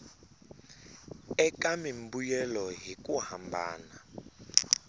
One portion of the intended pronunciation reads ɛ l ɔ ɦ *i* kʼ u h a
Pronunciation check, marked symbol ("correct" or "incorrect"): correct